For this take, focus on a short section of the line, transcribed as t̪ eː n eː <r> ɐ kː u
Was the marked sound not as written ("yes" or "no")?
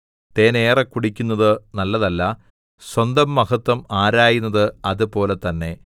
no